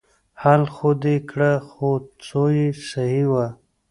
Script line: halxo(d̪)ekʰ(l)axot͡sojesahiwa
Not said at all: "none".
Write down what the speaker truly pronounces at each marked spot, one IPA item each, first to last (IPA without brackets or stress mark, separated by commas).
d̪, ɽ